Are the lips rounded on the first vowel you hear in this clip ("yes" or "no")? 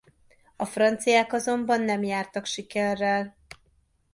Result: yes